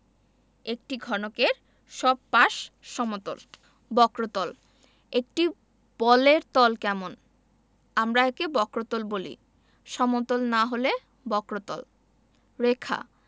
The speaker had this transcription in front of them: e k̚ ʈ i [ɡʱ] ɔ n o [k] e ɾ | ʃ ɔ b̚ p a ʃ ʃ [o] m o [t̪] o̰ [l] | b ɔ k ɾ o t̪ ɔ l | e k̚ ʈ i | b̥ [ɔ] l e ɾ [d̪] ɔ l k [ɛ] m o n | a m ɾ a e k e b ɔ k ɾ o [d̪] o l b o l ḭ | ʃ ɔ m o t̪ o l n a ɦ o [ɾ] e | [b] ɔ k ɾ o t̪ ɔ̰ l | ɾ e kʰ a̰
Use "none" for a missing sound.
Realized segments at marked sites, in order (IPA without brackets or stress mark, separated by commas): ɡʱ, k, ɔ, t̪, l, ɔ, t̪, ɛ, t̪, l, b